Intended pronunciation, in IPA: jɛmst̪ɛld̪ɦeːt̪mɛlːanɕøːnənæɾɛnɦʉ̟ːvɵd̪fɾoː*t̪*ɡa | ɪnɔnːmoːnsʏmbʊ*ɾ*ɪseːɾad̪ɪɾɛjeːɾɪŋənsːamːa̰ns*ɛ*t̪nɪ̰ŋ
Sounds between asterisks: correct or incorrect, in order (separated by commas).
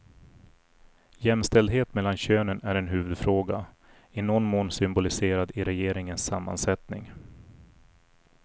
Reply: incorrect, incorrect, correct